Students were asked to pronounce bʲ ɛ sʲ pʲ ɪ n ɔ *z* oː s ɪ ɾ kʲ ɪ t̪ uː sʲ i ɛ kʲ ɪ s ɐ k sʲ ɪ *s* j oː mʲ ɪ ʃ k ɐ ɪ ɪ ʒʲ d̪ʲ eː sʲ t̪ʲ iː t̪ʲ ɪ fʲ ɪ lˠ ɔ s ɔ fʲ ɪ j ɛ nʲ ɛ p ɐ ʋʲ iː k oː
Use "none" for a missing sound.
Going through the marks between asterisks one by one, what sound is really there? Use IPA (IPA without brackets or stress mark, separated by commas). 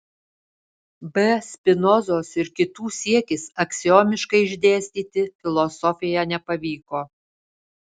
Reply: z, none